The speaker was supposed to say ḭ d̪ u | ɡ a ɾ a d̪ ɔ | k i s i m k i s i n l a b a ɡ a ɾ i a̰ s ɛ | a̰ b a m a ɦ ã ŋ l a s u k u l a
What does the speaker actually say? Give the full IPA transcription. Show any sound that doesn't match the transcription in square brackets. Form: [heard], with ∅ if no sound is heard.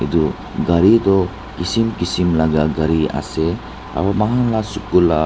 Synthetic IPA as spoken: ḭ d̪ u | ɡ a ɾ [i] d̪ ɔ | k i s i m k i s i [m] l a [ɡ] a ɡ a ɾ i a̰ s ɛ | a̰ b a m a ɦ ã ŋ l a s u k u l a